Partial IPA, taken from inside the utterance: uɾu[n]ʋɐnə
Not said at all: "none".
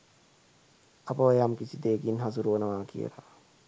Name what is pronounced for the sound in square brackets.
none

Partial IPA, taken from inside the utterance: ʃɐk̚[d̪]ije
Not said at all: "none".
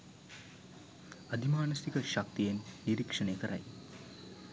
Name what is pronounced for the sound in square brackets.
t̪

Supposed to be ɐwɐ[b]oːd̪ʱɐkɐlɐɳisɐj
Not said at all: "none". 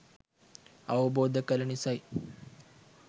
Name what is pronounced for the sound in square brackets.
b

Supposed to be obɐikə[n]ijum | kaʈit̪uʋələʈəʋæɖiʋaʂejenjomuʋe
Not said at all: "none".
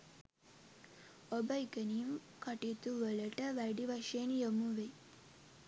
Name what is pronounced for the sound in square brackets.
n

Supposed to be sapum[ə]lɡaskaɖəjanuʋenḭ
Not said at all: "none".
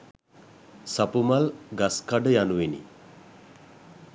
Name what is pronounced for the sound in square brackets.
a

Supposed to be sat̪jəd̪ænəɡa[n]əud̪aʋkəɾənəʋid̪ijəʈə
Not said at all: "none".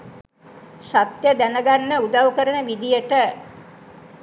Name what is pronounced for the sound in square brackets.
nː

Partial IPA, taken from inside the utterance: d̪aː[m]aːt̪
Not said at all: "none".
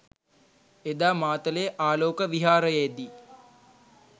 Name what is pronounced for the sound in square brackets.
m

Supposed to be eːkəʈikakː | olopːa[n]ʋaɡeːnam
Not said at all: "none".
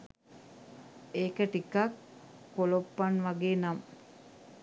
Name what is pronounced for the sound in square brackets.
n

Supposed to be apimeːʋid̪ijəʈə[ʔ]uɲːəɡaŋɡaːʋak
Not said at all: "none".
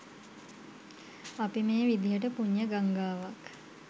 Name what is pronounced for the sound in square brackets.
p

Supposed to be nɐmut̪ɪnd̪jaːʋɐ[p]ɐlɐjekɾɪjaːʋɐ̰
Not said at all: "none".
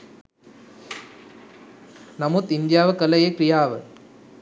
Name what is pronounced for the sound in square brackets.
k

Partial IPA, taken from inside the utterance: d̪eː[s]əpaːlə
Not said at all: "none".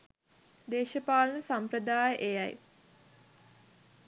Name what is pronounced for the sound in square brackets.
ʃ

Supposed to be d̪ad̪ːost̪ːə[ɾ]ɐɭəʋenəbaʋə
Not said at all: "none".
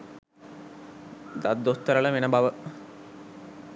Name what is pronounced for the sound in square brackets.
ɾ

